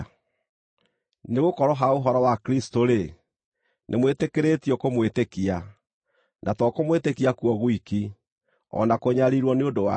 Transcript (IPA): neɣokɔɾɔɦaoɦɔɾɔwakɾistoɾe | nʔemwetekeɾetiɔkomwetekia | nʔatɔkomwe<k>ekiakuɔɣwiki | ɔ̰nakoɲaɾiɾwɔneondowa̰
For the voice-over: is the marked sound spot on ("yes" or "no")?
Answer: no